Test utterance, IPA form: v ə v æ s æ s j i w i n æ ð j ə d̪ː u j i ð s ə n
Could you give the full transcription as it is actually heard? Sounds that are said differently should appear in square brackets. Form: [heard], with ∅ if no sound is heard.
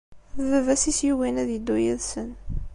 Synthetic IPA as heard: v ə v æ s [i] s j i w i n æ ð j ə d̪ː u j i ð s ə n